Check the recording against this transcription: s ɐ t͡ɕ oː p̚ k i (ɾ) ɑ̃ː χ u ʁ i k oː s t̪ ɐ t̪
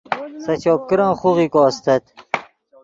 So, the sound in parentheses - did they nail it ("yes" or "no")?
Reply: yes